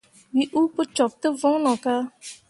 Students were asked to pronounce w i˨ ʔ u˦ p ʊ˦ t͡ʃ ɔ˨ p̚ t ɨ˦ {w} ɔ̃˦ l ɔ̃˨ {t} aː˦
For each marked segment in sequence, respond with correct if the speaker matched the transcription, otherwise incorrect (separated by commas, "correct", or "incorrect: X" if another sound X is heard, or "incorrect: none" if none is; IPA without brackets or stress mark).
incorrect: v, incorrect: k